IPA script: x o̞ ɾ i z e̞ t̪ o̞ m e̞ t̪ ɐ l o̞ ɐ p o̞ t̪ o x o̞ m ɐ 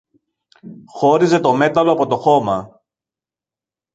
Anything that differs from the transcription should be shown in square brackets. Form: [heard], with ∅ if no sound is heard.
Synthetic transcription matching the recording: x o̞ ɾ i z e̞ t̪ o̞ m e̞ t̪ ɐ l o̞ ɐ p o̞ t̪ o x o̞ m ɐ